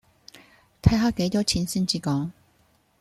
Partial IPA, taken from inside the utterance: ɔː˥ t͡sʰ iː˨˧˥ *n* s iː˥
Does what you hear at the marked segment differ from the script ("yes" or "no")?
no